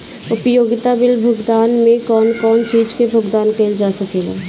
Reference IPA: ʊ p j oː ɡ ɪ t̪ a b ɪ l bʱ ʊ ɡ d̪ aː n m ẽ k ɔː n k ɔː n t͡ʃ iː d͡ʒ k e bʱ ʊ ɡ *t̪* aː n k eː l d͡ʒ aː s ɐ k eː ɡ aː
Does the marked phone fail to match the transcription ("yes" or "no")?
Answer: yes